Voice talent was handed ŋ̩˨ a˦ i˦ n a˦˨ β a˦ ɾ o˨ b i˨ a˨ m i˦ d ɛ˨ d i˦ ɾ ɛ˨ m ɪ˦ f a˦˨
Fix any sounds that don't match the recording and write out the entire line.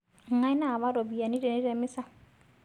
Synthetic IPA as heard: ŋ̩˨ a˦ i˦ n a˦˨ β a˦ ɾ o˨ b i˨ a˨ n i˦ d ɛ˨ n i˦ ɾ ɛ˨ m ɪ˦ s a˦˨